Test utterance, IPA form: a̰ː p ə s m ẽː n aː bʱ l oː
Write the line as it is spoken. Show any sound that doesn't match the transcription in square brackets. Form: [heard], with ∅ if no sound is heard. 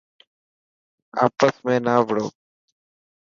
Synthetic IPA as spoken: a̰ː p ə s m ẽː n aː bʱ [ɽ] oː